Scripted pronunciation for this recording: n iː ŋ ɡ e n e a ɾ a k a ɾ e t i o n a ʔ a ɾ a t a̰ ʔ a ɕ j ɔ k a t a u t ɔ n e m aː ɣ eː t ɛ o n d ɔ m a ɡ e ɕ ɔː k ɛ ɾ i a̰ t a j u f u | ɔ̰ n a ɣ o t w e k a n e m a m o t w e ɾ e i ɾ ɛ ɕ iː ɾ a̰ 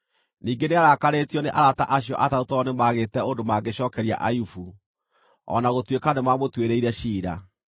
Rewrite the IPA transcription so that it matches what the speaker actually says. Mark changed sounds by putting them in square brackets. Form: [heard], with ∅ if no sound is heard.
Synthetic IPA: n iː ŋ ɡ e n e a ɾ a k a ɾ e t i [ɔ] n [e] ʔ a ɾ a t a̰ ʔ a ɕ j ɔ [ʔ] a t a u t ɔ n e m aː ɣ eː t ɛ o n d [o] m a ɡ e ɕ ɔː k ɛ ɾ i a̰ [ʔ] a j u f u | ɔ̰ n a ɣ o t w e k a n e m a m o t w e ɾ e i ɾ ɛ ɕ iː ɾ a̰